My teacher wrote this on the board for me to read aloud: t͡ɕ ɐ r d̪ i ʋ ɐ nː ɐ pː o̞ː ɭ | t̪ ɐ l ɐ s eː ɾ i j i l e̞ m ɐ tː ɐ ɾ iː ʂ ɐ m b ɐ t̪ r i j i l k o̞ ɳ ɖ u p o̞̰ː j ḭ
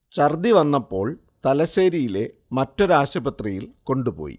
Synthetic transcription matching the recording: t͡ɕ ɐ r d̪ i ʋ ɐ nː ɐ pː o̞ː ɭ | t̪ ɐ l ɐ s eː ɾ i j i l e̞ m ɐ tː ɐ ɾ aː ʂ ɐ b ɐ t̪ r i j i l k o̞ ɳ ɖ u p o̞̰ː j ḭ